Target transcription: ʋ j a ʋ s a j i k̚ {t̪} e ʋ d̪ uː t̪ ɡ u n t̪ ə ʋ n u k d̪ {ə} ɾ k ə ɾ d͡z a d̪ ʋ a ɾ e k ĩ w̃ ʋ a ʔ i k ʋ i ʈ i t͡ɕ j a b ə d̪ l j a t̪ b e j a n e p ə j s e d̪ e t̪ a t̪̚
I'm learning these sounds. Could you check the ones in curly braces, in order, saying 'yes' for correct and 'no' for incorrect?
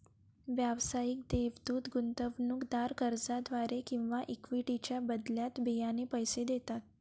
no, no

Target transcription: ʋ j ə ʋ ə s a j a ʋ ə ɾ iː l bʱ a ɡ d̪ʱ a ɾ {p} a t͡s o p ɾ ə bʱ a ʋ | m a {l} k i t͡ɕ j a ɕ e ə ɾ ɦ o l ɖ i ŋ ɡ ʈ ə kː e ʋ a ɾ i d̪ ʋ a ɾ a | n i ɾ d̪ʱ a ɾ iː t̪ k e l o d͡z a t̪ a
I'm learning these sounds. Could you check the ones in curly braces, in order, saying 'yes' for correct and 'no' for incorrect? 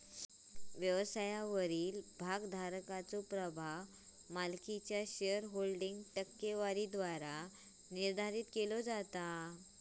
no, yes

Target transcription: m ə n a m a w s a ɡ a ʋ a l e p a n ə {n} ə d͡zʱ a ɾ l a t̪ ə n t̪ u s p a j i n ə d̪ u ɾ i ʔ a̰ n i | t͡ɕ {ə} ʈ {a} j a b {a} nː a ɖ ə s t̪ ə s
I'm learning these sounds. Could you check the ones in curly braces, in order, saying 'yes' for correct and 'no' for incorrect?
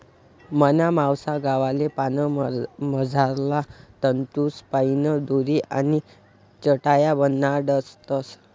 no, yes, yes, no

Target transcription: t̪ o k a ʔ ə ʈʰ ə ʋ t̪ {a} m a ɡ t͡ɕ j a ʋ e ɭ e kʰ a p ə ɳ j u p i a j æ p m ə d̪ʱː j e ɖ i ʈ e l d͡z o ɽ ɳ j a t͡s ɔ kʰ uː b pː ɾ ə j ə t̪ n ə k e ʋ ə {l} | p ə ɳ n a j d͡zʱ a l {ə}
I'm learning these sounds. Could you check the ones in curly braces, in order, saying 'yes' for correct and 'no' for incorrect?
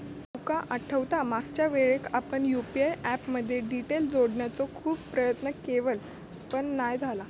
yes, yes, no

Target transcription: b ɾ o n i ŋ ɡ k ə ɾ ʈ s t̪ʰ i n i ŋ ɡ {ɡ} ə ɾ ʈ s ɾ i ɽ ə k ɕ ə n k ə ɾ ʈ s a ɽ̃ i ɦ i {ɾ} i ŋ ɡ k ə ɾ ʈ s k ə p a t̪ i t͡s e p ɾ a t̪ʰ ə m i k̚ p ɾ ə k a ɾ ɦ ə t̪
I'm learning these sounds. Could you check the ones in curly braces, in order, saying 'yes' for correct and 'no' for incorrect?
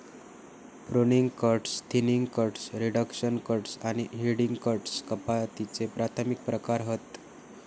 no, no

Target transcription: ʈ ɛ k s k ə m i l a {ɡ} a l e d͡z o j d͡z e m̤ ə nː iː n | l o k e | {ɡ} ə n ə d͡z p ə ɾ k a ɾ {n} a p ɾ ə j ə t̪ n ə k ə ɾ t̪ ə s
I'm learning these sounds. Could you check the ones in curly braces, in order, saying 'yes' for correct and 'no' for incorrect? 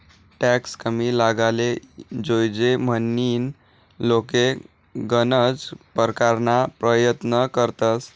yes, yes, yes

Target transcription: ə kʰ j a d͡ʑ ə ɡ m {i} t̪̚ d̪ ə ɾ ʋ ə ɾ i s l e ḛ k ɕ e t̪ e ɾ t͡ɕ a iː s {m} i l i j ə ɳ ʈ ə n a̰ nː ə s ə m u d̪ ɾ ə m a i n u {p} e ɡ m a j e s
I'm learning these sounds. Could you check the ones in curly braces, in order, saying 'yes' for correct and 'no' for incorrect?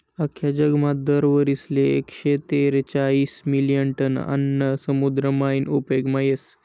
no, yes, yes

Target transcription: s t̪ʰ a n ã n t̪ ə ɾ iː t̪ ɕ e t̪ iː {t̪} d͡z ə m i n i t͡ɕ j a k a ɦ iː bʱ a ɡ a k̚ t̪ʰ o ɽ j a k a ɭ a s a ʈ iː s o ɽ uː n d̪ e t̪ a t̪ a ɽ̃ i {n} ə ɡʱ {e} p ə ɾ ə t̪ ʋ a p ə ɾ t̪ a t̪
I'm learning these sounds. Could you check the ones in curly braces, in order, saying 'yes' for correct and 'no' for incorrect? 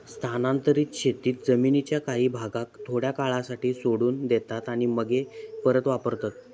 yes, no, yes

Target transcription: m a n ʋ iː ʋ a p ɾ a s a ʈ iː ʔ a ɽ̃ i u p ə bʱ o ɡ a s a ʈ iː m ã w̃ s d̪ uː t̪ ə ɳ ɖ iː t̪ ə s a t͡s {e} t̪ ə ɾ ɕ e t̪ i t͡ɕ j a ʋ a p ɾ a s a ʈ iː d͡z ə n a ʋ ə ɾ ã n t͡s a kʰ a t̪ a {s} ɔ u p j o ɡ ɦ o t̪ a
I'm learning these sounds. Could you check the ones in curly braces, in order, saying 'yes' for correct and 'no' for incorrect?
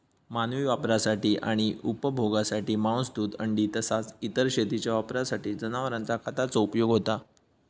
no, no

